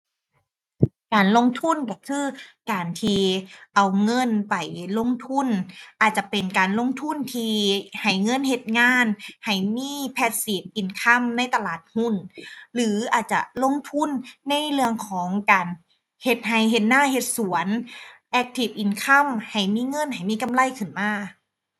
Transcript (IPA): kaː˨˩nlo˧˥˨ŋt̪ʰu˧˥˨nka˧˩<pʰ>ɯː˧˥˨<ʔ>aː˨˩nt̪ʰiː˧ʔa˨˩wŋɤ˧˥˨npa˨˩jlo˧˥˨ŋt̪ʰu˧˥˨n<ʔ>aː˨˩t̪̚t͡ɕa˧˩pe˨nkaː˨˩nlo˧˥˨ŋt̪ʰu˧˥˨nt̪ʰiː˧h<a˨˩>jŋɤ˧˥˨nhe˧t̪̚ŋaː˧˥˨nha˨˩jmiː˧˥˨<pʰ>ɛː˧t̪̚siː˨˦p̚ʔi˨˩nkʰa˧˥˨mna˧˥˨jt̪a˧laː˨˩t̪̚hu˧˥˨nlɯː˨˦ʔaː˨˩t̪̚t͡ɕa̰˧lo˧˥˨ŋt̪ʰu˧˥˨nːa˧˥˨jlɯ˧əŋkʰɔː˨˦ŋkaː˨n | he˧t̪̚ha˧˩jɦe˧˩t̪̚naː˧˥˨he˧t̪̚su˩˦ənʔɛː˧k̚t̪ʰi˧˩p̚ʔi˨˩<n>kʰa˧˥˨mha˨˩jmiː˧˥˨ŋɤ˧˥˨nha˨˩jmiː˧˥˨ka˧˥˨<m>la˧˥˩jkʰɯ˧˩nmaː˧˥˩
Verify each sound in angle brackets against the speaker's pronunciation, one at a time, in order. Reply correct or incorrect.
incorrect: kʰ, incorrect: k, correct, correct, correct, correct, correct

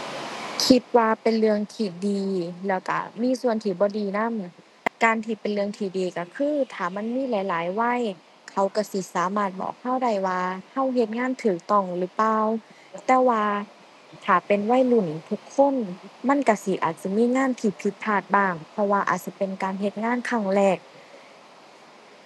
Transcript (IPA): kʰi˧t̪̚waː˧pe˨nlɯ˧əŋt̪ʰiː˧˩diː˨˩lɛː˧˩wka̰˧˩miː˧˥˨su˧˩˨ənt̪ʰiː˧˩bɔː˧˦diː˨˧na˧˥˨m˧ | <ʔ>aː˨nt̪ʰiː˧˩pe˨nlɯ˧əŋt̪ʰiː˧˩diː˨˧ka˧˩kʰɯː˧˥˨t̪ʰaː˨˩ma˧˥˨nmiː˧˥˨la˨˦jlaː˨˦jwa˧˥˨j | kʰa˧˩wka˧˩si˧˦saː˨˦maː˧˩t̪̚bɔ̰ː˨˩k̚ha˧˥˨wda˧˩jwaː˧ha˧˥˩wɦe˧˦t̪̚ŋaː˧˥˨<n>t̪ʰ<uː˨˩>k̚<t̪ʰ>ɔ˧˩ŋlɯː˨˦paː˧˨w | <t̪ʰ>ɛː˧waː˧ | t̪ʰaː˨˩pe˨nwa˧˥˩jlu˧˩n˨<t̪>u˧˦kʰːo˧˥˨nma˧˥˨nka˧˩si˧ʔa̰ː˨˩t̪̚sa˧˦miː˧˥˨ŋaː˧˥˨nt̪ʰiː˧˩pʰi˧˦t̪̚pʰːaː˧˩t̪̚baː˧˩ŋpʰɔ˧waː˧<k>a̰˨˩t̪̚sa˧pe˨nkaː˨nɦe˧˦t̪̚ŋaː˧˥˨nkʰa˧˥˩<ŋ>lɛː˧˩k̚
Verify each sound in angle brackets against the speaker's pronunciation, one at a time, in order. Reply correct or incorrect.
incorrect: k, correct, incorrect: ɯː˨˩, incorrect: t̪, incorrect: t̪, incorrect: t̪ʰ, incorrect: ʔ, correct

